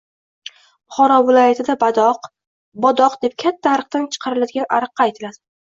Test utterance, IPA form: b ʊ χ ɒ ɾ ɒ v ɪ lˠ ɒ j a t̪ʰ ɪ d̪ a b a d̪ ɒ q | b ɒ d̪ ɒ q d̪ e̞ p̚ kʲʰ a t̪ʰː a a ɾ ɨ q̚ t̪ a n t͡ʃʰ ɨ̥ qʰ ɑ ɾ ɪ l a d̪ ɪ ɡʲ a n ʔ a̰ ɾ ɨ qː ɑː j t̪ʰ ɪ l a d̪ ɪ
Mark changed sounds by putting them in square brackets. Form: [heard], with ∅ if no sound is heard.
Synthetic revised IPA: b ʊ χ ɒ ɾ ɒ v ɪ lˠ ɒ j a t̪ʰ ɪ d̪ a b a d̪ ɒ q | b ɒ d̪ ɒ q d̪ e̞ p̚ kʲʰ a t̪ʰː a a ɾ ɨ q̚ t̪ a n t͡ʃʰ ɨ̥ qʰ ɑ ɾ ɪ l a d̪ ɪ ɡʲ a n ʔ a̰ ɾ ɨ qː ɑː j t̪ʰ ɪ l a d̪ ɪ

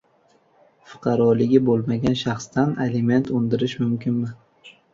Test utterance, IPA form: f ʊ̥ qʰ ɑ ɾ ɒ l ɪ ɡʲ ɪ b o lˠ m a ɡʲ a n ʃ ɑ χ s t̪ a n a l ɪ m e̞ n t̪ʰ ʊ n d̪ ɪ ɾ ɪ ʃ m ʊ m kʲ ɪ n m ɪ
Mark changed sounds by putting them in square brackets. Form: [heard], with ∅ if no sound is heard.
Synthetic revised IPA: f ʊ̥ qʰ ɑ ɾ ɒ l ɪ ɡʲ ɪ b o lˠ m a ɡʲ a n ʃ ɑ χ s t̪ a n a l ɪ m e̞ n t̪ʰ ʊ n d̪ ɪ ɾ ɪ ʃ m ʊ m kʲ ɪ n m ɪ

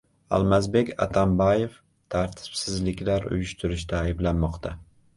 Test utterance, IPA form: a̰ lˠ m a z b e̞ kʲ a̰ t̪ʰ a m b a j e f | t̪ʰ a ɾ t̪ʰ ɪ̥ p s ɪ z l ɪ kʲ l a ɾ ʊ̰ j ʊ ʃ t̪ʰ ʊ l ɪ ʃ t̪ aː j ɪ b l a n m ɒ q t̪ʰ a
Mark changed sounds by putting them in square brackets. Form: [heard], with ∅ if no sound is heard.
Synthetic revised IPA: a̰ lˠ m a z b e̞ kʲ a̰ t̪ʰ a m b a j e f | t̪ʰ a ɾ t̪ʰ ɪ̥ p s ɪ z l ɪ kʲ l a ɾ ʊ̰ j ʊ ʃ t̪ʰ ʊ [ɾ] ɪ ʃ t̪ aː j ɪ b l a n m ɒ q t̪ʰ a

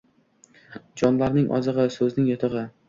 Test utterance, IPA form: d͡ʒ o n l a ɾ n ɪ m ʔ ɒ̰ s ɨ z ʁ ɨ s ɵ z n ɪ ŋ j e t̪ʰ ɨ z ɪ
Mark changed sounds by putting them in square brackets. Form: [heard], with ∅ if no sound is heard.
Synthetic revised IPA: d͡ʒ [ɒ] n l a ɾ n ɪ [ŋ] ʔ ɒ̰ [z] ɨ [∅] ʁ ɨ s ɵ z n ɪ ŋ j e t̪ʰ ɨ [ʁ] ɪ

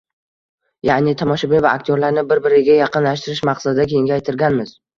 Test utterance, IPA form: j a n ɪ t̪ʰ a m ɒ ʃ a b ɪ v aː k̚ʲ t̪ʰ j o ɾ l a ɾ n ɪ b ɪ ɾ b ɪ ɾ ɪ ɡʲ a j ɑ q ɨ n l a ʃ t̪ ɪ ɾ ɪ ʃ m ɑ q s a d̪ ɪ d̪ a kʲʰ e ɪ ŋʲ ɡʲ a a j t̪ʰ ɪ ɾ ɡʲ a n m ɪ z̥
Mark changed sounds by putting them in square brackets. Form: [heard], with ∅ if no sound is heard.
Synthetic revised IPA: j a n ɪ t̪ʰ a m ɒ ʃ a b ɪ v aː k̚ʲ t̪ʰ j o ɾ l a ɾ n ɪ b ɪ ɾ b ɪ ɾ ɪ ɡʲ a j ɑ q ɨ n l a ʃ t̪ ɪ ɾ ɪ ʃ m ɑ q s a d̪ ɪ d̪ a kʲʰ e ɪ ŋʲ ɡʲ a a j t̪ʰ ɪ ɾ ɡʲ a n m ɪ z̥

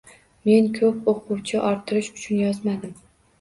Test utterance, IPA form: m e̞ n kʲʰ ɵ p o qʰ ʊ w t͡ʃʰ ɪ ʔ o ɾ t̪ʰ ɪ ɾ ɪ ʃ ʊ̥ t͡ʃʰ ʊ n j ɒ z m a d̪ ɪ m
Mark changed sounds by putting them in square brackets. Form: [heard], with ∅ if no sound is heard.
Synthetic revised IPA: m e̞ n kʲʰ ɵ p o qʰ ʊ w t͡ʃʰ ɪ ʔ [ɒ] ɾ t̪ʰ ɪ ɾ ɪ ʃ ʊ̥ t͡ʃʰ ʊ n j ɒ z m a d̪ ɪ m

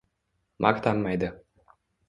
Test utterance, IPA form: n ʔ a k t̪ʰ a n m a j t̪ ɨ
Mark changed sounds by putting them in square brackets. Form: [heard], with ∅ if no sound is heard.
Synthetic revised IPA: [m] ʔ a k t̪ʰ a n m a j [d̪] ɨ

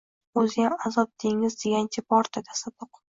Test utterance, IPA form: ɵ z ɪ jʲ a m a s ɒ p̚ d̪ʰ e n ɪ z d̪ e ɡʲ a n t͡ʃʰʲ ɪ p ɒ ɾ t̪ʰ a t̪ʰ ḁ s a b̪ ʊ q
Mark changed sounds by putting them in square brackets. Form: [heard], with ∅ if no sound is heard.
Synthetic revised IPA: ɵ z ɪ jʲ a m a [z] ɒ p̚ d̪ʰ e [ŋ] ɪ z d̪ e ɡʲ a n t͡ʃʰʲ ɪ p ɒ ɾ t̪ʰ a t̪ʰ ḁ s a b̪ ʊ q

